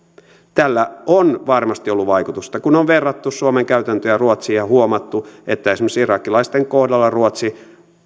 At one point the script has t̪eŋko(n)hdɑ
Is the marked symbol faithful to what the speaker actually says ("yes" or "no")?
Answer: no